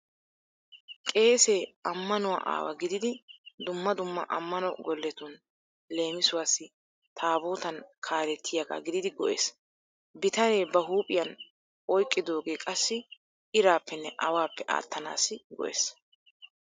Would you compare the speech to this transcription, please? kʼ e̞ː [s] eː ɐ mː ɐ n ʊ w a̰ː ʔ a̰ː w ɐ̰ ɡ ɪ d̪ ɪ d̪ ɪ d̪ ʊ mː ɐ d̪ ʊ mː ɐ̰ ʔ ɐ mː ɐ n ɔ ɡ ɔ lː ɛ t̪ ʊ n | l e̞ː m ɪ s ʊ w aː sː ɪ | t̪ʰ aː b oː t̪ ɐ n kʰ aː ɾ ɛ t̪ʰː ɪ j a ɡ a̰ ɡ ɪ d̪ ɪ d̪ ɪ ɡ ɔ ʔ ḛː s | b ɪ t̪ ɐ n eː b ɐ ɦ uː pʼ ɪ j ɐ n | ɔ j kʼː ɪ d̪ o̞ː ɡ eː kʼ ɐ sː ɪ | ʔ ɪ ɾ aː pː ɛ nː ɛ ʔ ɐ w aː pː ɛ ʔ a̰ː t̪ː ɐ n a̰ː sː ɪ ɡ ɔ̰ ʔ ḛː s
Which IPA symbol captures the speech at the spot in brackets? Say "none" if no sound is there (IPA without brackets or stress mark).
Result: s